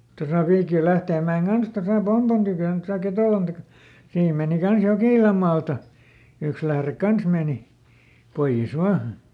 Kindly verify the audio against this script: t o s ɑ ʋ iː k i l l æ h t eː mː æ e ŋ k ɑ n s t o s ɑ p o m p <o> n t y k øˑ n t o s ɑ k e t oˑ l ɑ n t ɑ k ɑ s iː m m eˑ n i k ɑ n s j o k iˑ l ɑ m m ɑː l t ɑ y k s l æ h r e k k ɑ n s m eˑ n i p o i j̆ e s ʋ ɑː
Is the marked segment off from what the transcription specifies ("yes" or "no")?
no